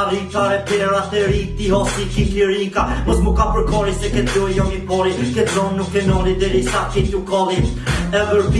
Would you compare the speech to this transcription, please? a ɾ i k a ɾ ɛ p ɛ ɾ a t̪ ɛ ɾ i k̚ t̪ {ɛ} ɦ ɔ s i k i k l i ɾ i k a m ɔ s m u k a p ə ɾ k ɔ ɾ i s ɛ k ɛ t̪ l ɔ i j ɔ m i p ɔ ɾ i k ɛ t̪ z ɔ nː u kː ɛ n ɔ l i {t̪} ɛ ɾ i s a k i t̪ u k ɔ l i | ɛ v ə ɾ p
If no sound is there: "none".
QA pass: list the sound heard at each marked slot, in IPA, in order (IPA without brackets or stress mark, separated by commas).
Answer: i, d̪